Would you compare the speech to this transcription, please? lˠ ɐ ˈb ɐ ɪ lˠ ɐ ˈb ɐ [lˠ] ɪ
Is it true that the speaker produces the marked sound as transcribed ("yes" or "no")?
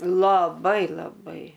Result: no